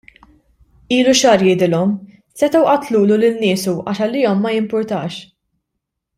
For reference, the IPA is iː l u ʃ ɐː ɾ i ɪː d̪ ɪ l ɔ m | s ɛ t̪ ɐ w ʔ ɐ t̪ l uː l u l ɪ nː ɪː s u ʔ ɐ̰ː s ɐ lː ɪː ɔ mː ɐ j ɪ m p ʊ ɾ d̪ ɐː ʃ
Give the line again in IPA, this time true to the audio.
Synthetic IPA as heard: iː l u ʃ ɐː ɾ j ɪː d̪ ɪ l ɔ m | s ɛ t̪ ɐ w ʔ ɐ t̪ l uː l u l ɪ nː ɪː s u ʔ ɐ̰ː ʃ ɐ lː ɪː ɔ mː ɐ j ɪ m p ʊ ɾ t̪ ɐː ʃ